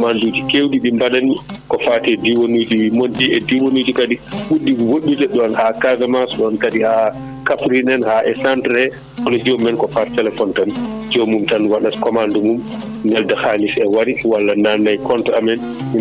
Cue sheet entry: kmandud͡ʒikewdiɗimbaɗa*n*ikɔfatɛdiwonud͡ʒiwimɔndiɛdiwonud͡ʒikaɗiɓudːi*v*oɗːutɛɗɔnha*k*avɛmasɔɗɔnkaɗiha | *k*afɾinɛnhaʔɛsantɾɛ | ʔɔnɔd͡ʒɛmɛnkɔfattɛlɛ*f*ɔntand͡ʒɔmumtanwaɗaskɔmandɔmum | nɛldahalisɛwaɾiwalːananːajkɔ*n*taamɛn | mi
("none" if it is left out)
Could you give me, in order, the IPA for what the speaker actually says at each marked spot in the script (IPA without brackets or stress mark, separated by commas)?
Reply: n, w, k, k, f, n